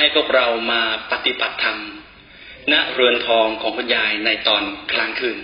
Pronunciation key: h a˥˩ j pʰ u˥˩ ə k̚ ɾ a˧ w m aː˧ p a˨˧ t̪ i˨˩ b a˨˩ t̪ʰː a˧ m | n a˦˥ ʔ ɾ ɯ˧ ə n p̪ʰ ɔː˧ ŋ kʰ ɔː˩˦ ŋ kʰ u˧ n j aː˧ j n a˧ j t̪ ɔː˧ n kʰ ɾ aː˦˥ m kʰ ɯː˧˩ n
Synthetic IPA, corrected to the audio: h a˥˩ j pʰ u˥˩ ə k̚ ɾ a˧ w m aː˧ p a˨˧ t̪ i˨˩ b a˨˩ t̪ʰː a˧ m | n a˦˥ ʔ ɾ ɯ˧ ə n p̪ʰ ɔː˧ ŋ kʰ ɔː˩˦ ŋ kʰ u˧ n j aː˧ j n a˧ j t̪ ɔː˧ n kʰ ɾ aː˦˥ ŋ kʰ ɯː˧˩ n